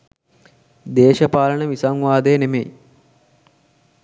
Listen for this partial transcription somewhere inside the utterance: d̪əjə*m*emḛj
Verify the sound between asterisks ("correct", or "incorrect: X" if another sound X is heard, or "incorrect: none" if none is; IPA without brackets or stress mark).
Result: incorrect: n